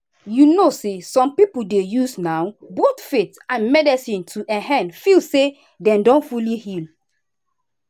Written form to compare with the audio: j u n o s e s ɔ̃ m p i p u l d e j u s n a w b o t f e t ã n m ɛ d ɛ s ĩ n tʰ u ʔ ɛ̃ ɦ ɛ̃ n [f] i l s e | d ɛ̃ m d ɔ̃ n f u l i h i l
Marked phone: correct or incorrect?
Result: correct